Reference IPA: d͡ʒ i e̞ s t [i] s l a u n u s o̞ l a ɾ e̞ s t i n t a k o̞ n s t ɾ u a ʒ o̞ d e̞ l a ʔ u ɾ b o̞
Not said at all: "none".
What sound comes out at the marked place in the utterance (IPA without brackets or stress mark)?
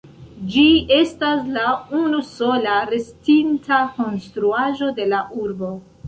a